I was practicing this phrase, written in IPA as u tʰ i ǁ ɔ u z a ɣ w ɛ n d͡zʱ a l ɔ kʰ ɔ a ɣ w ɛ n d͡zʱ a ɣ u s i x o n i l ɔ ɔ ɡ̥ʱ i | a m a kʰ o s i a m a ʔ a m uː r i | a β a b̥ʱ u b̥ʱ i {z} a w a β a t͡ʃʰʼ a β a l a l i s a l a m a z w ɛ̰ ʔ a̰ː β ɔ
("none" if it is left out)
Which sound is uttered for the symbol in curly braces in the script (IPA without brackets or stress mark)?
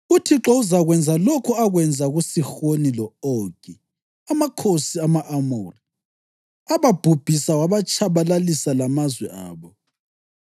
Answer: s